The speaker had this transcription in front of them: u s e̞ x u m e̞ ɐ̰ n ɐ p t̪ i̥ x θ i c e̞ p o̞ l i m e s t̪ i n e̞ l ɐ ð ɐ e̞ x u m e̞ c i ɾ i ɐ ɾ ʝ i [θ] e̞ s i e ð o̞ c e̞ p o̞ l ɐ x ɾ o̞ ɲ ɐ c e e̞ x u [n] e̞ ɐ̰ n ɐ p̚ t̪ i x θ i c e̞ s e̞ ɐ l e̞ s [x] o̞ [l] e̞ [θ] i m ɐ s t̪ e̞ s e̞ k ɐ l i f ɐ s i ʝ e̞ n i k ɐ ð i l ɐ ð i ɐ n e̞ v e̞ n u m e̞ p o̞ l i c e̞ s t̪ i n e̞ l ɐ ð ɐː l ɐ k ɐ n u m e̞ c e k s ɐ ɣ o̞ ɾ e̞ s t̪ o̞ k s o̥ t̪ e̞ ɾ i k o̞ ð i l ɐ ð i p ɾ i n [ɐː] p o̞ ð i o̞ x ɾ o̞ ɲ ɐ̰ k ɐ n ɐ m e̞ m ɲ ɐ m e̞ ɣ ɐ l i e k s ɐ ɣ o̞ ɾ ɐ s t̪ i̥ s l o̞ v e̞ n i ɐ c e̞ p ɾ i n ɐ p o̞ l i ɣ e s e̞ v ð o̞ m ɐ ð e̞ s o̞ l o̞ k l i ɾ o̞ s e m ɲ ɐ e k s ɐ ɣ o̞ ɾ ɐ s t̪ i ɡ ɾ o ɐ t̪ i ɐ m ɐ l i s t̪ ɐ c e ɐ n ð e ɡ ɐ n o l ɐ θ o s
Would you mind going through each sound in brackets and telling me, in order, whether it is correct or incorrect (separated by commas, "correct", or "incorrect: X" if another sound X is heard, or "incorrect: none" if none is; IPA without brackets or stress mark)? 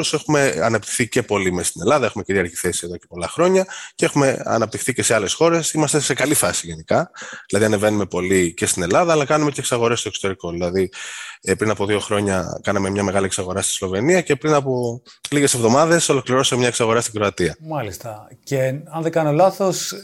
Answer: correct, incorrect: m, correct, incorrect: ɾ, incorrect: s, incorrect: ɐ